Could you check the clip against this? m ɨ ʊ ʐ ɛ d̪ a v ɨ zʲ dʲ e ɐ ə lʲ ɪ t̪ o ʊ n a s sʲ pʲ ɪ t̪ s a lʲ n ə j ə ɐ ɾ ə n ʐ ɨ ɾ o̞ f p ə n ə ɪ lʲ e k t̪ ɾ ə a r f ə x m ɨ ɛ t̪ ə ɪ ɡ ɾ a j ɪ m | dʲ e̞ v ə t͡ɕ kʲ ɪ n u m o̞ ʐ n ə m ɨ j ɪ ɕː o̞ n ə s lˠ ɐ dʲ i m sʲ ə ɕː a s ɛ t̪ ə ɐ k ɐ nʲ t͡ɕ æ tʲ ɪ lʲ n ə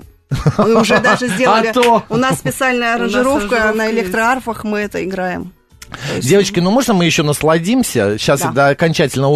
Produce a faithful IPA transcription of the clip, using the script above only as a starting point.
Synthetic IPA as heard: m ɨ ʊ ʐ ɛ d̪ a ʐ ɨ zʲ dʲ e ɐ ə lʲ ɪ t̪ o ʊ n a s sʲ pʲ ɪ t̪ s a lʲ n ə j ə ɐ ɾ ə n ʐ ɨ ɾ o̞ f k ə n ə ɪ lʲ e k t̪ ɾ ə a r f ə x m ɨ ɛ t̪ ə ɪ ɡ ɾ a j ɪ m | dʲ e̞ v ə t͡ɕ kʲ ɪ n u m o̞ ʐ n ə m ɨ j ɪ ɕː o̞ n ə s lˠ ɐ dʲ i m sʲ ə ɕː a s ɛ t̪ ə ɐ k ɐ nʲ t͡ɕ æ tʲ ɪ lʲ n ə